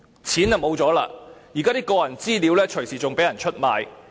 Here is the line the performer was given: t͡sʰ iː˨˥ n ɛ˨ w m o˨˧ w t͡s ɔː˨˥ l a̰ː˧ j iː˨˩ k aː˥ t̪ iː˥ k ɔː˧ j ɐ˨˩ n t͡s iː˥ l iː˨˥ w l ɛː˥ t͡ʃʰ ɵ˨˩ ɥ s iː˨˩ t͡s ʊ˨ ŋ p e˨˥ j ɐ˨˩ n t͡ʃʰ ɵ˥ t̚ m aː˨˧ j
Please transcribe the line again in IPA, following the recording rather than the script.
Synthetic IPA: t͡sʰ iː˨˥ n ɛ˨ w m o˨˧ w t͡s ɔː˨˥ l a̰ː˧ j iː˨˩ k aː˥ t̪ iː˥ k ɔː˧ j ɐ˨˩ n t͡s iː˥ l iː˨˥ w l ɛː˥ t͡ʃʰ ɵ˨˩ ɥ s iː˨˩ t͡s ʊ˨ ŋ p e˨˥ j ɐ˨˩ n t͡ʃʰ ɵ˥ t̚ m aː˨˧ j